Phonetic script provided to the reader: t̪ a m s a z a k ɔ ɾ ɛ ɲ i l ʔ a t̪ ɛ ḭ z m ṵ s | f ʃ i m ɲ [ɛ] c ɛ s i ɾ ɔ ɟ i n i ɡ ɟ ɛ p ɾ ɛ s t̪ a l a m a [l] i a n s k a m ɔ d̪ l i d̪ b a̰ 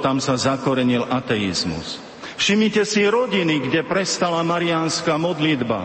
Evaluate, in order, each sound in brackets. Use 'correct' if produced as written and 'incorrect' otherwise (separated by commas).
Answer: incorrect, incorrect